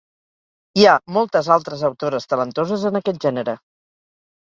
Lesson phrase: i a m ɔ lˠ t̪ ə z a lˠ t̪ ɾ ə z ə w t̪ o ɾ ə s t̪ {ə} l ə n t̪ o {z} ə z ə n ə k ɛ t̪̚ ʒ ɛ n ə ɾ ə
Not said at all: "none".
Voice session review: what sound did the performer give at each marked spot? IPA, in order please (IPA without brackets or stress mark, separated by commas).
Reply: ə, z